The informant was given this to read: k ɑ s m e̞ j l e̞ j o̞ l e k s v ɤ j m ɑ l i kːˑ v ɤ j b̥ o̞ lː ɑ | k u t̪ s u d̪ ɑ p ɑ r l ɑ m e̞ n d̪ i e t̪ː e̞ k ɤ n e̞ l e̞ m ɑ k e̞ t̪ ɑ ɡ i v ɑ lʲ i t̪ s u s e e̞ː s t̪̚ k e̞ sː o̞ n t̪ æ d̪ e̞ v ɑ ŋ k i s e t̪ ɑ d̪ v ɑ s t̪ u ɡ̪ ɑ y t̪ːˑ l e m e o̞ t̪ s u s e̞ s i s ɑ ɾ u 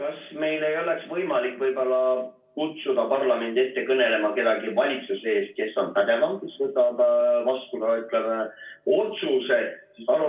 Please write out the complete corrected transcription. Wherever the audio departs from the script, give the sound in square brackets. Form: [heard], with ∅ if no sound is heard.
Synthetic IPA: k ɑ s m e̞ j l e̞ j o̞ l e k s v ɤ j m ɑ l i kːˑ v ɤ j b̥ o̞ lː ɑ | k u t̪ s u d̪ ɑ p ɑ r l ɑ m e̞ n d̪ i e t̪ː e̞ k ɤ n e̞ l e̞ m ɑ k e̞ [d̪] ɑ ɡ i v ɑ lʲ i t̪ s u s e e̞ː s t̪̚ k e̞ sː o̞ n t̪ æ d̪ e̞ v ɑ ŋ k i s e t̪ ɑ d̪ v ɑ s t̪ u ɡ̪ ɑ y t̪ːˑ l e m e o̞ t̪ s u s e̞ s i s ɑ [l] u